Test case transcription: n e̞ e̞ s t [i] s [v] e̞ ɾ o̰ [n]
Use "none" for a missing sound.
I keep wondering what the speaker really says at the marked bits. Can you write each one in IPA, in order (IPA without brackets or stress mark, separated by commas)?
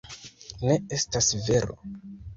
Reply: a, v, none